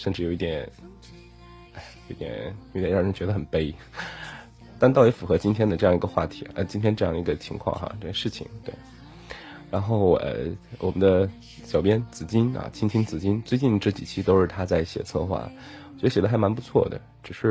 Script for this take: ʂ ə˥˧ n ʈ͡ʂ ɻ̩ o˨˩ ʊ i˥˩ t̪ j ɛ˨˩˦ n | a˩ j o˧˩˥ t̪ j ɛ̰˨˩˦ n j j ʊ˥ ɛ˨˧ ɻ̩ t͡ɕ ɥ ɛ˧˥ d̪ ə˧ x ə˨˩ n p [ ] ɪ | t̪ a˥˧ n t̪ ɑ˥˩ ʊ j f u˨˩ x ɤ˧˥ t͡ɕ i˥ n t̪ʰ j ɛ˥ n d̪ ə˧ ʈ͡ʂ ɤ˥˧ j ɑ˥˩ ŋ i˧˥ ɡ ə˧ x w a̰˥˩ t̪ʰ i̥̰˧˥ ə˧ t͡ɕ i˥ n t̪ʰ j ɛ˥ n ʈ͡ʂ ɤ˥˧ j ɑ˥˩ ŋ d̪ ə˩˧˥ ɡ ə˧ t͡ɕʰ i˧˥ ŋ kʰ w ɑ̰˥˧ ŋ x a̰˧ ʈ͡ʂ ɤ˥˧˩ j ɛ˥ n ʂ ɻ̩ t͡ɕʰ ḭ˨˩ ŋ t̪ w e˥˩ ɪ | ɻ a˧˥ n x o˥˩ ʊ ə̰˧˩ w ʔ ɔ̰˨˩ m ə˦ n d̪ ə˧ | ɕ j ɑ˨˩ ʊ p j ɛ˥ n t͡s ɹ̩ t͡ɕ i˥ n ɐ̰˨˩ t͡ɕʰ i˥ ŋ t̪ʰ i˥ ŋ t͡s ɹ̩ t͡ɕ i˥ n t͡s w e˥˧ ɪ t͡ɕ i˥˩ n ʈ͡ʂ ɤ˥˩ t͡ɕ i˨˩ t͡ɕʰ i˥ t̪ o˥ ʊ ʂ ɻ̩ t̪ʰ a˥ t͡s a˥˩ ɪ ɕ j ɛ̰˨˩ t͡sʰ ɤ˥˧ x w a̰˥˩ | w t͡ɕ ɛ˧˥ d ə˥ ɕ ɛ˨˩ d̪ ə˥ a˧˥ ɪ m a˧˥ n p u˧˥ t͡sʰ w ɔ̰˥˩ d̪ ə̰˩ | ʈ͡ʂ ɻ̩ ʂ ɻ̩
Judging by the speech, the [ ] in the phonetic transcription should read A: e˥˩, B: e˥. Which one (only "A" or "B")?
B